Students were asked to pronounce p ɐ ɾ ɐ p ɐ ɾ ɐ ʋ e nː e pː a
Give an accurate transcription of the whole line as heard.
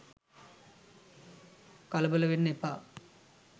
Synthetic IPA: k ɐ l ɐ b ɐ l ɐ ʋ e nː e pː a